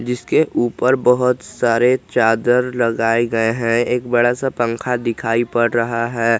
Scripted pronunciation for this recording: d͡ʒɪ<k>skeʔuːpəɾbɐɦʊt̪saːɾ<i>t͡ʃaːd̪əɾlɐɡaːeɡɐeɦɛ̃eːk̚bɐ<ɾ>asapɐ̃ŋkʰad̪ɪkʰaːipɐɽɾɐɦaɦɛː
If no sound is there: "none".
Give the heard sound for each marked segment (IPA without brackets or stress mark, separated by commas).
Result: none, e, ɽ